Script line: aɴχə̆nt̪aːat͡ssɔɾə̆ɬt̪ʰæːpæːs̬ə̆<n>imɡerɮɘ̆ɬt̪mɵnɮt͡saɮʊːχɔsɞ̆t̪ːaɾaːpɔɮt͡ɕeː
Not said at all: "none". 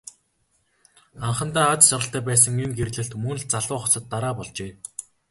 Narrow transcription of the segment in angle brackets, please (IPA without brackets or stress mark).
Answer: ŋ